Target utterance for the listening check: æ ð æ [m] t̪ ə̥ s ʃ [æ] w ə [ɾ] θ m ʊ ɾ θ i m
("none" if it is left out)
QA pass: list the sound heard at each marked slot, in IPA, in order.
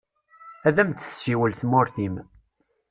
m, i, l

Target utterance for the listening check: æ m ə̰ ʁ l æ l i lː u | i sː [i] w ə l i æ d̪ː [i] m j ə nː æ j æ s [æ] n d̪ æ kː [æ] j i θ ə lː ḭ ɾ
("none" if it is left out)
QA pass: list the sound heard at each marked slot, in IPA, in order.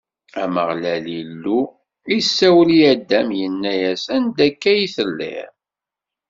æ, æ, æ, æ

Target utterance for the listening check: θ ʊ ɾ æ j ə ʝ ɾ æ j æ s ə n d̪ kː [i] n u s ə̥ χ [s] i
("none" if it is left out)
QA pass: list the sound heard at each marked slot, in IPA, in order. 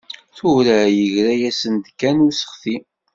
æ, θ

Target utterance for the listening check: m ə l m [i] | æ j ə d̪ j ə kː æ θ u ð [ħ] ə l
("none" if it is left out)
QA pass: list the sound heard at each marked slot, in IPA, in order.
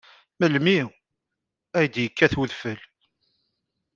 i, f

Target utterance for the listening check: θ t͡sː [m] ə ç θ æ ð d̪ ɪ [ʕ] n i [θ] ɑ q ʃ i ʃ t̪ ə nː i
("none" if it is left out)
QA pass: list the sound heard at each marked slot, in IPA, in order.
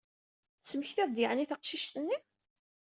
m, ʕ, θ

